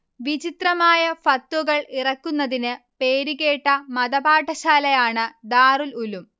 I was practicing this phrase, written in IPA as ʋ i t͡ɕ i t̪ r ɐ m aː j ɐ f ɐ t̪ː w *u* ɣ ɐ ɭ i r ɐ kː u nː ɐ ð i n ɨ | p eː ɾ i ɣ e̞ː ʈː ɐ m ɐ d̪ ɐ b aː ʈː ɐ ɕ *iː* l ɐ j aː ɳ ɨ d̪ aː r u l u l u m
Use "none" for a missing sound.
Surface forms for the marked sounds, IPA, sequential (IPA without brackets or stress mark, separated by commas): u, aː